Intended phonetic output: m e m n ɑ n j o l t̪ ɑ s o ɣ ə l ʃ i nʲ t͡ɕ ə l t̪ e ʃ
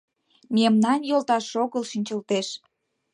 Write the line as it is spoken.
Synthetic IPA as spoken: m e m n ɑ n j o l t̪ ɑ ʃ o ɣ ə l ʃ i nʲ t͡ɕ ə l t̪ e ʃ